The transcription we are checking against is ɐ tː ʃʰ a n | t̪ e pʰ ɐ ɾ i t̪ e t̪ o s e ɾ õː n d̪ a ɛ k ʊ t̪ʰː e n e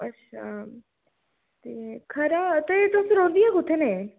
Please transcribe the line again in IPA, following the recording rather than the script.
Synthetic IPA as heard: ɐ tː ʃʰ a | t̪ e kʰ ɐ ɾ a t̪ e t̪ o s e ɾ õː n d̪ i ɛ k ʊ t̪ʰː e n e